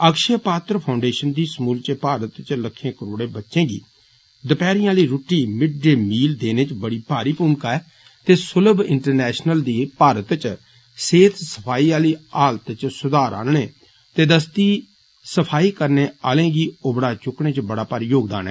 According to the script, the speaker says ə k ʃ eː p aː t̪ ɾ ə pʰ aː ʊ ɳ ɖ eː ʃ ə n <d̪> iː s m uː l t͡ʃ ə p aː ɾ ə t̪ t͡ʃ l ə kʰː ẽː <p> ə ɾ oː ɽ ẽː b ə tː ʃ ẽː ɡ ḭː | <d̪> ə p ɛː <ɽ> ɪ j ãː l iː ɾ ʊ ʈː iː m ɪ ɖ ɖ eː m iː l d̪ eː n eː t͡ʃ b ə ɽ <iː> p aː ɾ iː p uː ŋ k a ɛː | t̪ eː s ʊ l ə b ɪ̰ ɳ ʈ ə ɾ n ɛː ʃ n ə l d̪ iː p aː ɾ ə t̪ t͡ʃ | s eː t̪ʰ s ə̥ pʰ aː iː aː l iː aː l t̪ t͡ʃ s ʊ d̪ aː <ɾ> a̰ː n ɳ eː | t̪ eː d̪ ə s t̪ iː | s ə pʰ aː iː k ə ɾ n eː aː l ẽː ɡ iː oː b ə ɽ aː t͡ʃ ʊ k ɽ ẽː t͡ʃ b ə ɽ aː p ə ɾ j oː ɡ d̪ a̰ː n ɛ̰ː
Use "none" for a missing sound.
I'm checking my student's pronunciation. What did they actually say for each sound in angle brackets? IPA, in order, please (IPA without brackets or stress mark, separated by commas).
d̪, k, d̪, ɾ, iː, ɾ